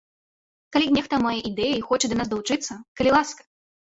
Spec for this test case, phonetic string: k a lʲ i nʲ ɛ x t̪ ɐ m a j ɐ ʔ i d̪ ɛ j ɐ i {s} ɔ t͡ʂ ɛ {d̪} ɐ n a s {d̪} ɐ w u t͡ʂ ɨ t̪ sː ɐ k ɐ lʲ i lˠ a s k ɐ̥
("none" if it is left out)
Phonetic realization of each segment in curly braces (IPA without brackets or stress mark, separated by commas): x, d̪, d̪